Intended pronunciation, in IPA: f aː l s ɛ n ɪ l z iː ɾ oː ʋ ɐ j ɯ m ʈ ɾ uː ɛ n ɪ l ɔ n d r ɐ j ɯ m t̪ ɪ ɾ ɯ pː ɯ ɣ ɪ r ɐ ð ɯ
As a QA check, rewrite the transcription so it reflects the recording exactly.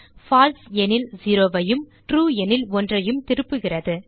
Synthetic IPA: f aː l s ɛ n ɪ l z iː ɾ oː ʋ ɐ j ɯ m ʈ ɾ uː ɛ n ɪ l ɔ n d r ɐ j ɯ m t̪ ɪ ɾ ɯ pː ɯ ɣ ɪ r ɐ ð ɯ